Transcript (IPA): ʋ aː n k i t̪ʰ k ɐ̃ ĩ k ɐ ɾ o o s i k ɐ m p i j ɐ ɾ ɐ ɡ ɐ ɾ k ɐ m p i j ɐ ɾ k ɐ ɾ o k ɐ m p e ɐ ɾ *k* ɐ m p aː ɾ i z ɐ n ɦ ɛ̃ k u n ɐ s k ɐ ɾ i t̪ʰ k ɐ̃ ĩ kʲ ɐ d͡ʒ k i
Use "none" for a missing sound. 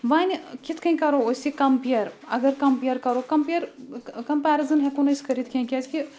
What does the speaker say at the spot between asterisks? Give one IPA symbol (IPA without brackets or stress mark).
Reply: k